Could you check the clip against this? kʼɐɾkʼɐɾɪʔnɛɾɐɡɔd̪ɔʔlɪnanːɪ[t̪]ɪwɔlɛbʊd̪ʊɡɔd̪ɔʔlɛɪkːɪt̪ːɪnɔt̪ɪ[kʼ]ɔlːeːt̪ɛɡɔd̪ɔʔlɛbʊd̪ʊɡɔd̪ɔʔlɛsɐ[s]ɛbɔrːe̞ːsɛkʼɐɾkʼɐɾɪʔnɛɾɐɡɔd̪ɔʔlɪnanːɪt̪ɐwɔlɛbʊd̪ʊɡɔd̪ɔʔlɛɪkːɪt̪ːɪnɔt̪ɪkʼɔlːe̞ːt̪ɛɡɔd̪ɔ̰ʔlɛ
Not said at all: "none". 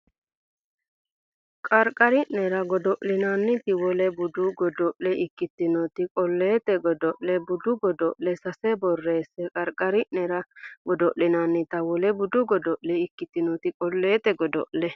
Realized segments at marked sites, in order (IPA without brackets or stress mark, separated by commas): t̪, kʼ, s